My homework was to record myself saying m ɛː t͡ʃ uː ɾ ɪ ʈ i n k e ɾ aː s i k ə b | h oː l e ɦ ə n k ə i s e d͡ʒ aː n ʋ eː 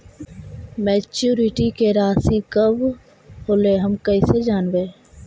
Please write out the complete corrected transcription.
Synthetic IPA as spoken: m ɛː t͡ʃ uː ɾ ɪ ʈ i k e ɾ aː s i k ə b | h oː l e ɦ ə m k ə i s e d͡ʒ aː n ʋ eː